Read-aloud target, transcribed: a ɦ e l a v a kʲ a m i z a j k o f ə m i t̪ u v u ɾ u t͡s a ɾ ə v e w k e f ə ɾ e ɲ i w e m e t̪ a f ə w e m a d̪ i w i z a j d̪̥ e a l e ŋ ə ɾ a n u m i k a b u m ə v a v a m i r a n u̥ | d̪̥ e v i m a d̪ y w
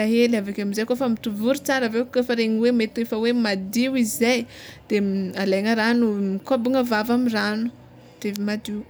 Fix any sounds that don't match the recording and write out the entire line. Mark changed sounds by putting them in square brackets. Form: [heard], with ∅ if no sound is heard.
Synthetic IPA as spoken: a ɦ e l a v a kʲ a m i z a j k o f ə m i t̪ u v u ɾ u t͡s a ɾ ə v e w k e f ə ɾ e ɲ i w e m e t̪ [e] f ə w e m a d̪ i w i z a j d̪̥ e a l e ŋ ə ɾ a n u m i k a b u [ŋ] ə v a v a m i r a n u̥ | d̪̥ e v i m a d̪ [i] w